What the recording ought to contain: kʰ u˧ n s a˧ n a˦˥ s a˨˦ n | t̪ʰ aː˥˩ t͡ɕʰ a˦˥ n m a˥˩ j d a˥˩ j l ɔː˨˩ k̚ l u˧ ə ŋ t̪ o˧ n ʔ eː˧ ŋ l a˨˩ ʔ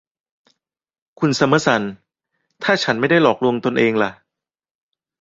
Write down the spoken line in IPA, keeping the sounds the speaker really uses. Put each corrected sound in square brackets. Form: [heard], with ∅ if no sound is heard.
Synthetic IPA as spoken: kʰ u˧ n s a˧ [m] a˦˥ s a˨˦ n | t̪ʰ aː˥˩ t͡ɕʰ a˦˥ n m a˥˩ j d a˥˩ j l ɔː˨˩ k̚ l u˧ ə ŋ t̪ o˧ n ʔ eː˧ ŋ l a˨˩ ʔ